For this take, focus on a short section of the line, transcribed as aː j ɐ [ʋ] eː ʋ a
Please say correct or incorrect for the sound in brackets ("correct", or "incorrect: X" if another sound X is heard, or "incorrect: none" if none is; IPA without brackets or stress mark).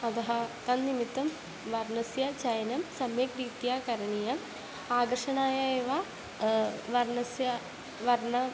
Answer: incorrect: none